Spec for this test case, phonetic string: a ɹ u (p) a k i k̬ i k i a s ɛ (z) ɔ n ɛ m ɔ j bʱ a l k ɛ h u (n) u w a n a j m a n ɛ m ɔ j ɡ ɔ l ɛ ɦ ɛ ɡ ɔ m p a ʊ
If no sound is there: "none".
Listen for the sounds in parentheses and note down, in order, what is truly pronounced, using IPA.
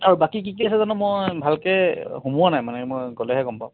b, z, m

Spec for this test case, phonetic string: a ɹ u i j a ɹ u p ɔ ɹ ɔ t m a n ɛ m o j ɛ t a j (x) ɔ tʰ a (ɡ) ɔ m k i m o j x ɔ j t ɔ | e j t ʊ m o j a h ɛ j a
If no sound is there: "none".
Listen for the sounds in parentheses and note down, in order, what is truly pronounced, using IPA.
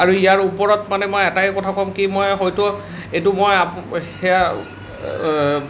k, k

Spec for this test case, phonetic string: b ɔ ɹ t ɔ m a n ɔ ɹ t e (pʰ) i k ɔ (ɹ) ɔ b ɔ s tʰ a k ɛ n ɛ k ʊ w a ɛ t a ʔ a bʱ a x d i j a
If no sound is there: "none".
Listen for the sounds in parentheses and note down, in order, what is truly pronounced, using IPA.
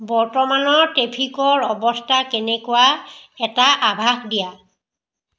pʰ, ɹ

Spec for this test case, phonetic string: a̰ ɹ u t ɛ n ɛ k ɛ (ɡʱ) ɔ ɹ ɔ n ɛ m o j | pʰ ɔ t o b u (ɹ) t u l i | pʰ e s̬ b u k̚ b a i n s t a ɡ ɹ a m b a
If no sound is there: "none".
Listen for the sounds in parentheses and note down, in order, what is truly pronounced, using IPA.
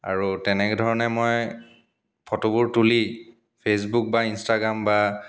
dʱ, ɹ

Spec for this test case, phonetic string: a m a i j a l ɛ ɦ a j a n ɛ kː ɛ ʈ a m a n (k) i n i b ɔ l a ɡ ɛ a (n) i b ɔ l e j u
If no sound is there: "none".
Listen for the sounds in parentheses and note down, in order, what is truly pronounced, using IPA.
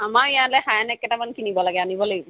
k, n

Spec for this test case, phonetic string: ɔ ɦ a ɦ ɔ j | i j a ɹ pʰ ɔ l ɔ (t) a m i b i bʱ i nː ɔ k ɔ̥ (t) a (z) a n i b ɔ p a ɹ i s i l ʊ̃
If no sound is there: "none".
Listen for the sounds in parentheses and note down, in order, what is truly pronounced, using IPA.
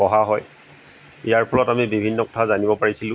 t, tʰ, z

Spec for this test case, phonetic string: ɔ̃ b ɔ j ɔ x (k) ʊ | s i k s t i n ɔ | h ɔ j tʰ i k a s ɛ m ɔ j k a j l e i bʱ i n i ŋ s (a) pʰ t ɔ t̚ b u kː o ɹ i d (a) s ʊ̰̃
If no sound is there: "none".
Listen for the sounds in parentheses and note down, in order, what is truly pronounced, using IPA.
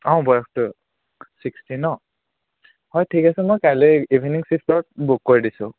t, i, i

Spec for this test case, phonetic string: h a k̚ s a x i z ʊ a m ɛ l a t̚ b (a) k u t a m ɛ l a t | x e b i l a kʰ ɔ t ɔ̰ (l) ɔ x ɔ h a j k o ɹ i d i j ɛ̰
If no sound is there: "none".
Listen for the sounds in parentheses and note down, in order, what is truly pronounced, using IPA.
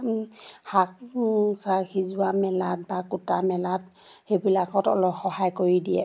a, l

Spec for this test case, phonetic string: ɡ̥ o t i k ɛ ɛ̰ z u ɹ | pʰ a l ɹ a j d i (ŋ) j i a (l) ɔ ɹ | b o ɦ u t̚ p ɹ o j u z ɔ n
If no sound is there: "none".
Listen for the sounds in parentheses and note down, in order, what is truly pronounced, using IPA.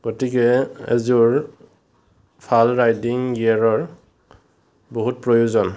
ŋ, ɹ

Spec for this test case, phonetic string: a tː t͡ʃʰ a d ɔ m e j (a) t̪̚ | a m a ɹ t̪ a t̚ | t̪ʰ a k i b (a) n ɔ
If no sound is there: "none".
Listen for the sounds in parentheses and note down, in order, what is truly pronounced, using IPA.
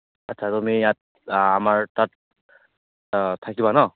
a, a

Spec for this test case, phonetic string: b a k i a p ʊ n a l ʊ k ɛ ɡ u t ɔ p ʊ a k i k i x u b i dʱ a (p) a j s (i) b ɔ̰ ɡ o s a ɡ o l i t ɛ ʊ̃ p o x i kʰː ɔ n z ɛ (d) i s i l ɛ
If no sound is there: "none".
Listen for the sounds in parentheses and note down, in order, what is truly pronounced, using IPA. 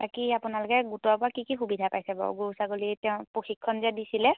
p, ɛ, d

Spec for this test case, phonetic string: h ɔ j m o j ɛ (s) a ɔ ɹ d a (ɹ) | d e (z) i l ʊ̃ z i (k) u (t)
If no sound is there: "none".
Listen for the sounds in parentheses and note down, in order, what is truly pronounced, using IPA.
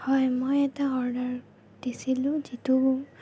t, ɹ, s, t, none

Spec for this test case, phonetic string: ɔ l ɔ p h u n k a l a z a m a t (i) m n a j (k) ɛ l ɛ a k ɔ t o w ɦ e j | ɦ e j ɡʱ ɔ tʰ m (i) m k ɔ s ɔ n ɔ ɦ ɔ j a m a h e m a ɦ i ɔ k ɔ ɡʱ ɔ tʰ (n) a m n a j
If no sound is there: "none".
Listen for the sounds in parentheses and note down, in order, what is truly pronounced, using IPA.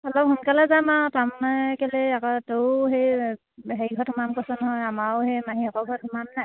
a, k, a, m

